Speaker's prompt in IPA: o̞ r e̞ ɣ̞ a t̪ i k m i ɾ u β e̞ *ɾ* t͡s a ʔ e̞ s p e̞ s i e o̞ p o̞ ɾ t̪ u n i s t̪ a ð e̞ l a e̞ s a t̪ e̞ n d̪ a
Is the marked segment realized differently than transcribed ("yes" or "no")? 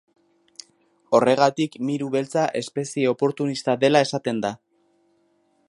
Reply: yes